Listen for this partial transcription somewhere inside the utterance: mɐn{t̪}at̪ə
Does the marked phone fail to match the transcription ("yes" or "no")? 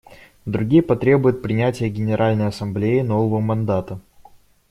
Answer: yes